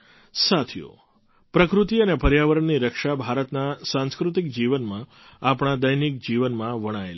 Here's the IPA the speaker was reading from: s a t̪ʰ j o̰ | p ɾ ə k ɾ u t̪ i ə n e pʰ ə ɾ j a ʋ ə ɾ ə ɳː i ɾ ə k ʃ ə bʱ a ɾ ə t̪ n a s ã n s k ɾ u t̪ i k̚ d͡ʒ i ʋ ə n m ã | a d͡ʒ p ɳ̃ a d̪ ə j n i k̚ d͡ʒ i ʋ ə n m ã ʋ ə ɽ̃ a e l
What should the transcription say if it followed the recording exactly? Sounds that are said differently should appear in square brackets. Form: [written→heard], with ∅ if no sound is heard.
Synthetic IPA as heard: s a t̪ʰ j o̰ | p ɾ ə k ɾ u t̪ i ə n e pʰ ə ɾ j a ʋ ə ɾ ə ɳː i ɾ ə k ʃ [ə→a] bʱ a ɾ ə t̪ n a s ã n s k ɾ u t̪ i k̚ d͡ʒ i ʋ ə n m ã | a [d͡ʒ→∅] p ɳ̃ a d̪ ə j n i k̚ d͡ʒ i ʋ ə n m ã ʋ ə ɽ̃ a e l

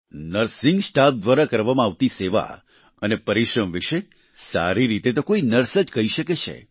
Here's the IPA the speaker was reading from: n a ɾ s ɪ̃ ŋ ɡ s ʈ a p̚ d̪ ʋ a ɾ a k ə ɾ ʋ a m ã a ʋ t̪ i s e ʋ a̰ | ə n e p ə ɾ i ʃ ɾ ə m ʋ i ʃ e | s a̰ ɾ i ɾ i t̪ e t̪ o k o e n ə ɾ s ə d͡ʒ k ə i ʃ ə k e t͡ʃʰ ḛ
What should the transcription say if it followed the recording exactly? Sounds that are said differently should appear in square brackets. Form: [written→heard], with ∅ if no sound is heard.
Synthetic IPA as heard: n [a→ə] ɾ s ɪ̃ ŋ ɡ s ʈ a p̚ d̪ ʋ a ɾ a k ə ɾ ʋ a m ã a ʋ t̪ i s e ʋ a̰ | ə n e p ə ɾ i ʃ ɾ ə m ʋ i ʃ e | s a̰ ɾ i ɾ i t̪ e t̪ o k o [e→i] n ə ɾ s ə d͡ʒ k ə i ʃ ə k e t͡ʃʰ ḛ

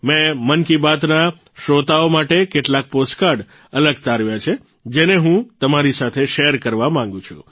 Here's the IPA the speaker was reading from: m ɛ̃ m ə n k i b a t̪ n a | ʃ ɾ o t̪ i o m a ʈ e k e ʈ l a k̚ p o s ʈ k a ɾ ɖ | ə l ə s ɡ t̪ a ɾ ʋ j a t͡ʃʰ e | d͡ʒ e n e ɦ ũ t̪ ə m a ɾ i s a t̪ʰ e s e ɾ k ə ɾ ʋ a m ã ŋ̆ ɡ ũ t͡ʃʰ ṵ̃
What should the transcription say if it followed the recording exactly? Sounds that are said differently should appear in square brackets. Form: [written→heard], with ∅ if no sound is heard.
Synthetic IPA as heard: m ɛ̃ m ə n k i b a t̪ n a | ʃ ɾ o t̪ [i→a] o m a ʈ e k e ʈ l a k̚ p o s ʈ k a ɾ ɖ | ə l ə [s→∅] ɡ t̪ a ɾ ʋ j a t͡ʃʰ e | d͡ʒ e n e ɦ ũ t̪ ə m a ɾ i s a t̪ʰ e [s→ʃ] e ɾ k ə ɾ ʋ a m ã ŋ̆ ɡ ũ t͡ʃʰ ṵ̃

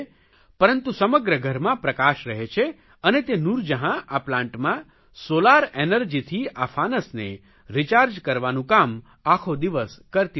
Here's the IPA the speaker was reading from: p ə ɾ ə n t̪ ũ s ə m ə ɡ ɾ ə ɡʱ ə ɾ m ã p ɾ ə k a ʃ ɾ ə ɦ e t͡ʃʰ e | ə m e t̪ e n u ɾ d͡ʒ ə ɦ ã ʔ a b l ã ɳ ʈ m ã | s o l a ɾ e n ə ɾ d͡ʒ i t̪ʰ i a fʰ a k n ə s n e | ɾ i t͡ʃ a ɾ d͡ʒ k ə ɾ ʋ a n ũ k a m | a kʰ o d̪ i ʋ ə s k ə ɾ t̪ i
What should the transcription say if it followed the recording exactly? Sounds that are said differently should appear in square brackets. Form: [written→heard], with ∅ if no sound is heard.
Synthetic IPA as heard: p ə ɾ ə n t̪ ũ s ə m ə ɡ ɾ ə ɡʱ ə ɾ m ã p ɾ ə k a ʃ ɾ ə ɦ e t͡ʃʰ e | ə [m→n] e t̪ e n u ɾ d͡ʒ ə ɦ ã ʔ a [b→p] l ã ɳ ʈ m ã | s o l a ɾ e n ə ɾ d͡ʒ i t̪ʰ i a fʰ a [k→∅] n ə s n e | ɾ i t͡ʃ a ɾ d͡ʒ k ə ɾ ʋ a n ũ k a m | a kʰ o d̪ i ʋ ə s k ə ɾ t̪ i

